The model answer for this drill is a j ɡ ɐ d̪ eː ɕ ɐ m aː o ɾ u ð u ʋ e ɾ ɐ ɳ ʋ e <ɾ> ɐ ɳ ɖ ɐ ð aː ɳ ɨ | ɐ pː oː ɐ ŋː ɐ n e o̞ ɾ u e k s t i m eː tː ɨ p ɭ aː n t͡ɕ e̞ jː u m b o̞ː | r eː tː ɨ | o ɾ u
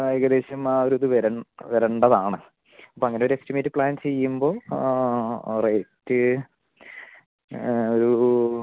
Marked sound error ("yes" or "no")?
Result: no